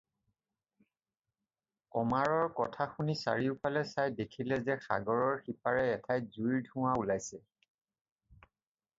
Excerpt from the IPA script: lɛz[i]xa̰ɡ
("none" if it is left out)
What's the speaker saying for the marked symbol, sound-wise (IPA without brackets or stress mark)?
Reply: ɛ